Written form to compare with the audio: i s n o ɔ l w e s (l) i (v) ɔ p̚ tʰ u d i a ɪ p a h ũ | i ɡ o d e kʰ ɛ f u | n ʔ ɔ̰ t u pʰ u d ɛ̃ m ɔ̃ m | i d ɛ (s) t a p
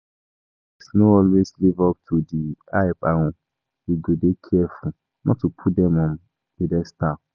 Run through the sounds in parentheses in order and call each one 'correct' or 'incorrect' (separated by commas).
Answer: correct, correct, correct